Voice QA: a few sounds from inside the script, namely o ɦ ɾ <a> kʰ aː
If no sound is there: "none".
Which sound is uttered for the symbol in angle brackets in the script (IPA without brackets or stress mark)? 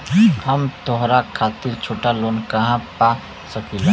a